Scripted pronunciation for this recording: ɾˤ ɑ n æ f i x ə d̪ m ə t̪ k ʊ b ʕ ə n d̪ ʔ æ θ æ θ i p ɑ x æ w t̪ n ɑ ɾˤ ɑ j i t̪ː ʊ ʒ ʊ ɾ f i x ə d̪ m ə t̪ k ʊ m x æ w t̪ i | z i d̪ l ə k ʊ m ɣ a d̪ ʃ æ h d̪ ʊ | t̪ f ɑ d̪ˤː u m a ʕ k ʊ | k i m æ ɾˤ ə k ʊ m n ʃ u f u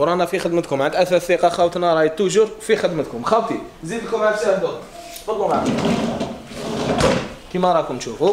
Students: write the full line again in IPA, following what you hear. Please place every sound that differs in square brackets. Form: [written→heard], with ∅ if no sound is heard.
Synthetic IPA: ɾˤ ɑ n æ f i x ə d̪ m ə t̪ k ʊ [b→m] ʕ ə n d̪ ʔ æ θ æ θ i [p→q] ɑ x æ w t̪ n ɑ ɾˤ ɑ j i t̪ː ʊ ʒ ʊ ɾ f i x ə d̪ m ə t̪ k ʊ m x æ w t̪ i | z i d̪ l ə k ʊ m [ɣ→ʕ] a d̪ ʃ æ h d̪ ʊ | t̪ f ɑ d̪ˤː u m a ʕ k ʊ | k i m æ ɾˤ [ə→ɑ] k ʊ m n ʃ u f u